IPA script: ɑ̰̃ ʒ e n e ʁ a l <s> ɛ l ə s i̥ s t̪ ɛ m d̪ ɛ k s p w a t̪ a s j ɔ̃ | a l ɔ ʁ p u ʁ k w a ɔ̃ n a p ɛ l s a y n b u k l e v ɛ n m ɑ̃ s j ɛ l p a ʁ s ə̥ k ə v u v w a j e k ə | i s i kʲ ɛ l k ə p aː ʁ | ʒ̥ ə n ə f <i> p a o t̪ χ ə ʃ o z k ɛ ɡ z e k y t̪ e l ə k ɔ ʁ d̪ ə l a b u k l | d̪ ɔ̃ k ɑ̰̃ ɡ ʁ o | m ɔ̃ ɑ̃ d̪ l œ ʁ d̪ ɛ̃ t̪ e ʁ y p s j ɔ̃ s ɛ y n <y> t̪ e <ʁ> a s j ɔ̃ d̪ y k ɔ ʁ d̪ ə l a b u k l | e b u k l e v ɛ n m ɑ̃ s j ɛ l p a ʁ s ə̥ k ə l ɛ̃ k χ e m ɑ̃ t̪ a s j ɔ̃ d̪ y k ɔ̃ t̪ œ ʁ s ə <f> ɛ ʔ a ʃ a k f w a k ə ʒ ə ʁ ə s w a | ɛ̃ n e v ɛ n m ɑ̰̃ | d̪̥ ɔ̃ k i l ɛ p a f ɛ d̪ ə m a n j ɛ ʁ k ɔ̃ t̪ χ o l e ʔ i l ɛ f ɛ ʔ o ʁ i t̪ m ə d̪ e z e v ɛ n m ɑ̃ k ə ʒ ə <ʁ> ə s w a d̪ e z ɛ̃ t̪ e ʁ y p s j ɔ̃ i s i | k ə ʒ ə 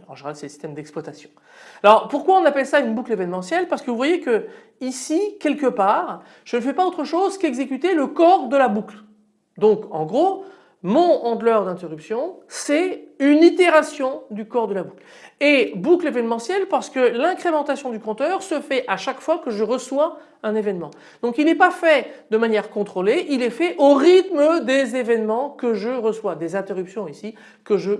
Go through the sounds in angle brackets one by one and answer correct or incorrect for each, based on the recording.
correct, incorrect: ɛ, incorrect: i, correct, correct, correct

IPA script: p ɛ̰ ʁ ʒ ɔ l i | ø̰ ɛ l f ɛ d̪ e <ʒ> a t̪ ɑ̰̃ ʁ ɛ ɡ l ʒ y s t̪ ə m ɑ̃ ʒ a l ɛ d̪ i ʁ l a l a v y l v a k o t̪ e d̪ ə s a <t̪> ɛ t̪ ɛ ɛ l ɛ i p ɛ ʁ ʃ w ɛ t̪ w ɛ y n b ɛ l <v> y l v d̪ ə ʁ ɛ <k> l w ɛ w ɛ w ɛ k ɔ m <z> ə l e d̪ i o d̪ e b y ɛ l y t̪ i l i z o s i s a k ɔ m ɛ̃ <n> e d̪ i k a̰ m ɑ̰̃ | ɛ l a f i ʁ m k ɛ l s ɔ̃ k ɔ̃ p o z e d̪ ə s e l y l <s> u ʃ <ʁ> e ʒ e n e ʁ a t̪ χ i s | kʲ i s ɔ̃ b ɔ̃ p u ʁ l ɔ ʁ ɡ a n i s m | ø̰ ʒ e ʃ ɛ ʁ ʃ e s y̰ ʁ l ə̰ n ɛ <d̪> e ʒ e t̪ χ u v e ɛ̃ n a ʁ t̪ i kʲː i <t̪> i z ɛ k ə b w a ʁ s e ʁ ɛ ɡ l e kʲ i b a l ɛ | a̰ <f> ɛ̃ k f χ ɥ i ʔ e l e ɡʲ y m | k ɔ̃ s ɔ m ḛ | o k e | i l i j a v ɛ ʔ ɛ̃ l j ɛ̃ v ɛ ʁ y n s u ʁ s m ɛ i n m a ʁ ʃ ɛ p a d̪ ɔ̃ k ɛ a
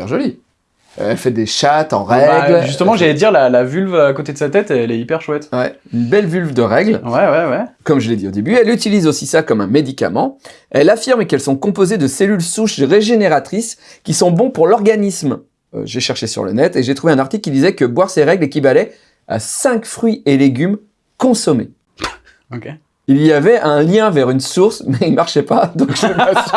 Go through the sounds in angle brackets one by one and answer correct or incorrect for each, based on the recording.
incorrect: ʃ, correct, correct, incorrect: ɡ, incorrect: ʒ, incorrect: m, correct, correct, incorrect: t̪, incorrect: d̪, incorrect: s

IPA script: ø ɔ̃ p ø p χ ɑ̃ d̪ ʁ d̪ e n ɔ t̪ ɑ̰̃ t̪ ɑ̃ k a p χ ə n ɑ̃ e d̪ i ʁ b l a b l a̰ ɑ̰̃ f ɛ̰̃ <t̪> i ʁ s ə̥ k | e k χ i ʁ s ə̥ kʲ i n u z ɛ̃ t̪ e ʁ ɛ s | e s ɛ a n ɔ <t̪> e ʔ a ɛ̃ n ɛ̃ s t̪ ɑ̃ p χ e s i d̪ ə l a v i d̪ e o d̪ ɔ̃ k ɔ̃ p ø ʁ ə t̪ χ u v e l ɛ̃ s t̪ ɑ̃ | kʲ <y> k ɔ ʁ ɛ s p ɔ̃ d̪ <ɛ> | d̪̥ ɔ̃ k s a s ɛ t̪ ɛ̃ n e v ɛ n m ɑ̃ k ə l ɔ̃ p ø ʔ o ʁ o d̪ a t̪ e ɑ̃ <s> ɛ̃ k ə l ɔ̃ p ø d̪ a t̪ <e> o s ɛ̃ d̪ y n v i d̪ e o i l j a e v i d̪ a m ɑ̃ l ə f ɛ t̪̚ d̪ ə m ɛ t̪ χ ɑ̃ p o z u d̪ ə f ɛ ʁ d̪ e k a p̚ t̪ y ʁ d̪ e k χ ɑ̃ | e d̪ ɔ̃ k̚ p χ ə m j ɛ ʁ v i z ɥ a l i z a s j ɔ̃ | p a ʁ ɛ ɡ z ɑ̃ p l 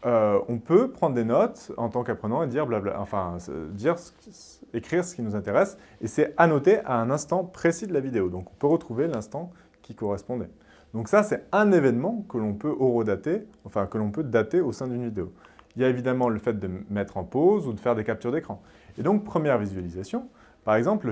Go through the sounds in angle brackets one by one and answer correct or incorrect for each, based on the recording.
incorrect: d̪, correct, incorrect: i, correct, incorrect: f, correct

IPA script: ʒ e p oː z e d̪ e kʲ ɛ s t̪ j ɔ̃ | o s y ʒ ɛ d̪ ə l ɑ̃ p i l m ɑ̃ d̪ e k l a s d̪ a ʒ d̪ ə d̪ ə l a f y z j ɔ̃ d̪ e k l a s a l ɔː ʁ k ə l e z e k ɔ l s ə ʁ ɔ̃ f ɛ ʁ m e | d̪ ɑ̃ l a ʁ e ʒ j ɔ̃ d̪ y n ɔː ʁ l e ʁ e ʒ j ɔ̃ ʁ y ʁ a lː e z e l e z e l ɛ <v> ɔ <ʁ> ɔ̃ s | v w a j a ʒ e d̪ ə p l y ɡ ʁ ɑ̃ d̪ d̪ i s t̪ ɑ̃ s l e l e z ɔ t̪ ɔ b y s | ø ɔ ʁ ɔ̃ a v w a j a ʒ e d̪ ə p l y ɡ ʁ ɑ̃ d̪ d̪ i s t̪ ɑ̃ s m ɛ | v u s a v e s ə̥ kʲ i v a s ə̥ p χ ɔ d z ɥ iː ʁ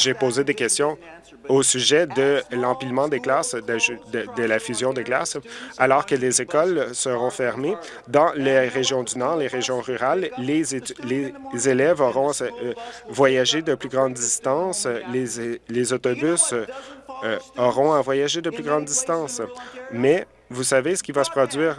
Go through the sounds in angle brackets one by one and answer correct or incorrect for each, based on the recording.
correct, correct

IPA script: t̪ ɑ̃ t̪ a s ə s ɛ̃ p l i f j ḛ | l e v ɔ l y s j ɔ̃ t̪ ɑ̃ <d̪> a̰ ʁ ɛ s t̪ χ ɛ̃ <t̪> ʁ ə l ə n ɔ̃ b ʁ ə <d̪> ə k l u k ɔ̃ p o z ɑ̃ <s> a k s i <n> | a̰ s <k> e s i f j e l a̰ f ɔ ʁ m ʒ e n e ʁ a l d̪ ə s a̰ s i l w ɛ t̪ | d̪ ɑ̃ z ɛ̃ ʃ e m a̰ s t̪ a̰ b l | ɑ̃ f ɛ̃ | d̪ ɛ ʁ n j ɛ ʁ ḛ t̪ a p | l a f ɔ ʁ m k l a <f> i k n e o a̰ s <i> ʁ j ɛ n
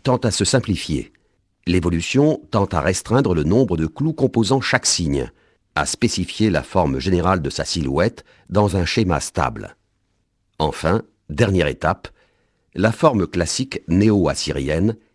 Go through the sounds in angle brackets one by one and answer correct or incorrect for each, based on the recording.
incorrect: t̪, incorrect: d̪, correct, incorrect: ʃ, incorrect: ɲ, incorrect: p, incorrect: s, correct

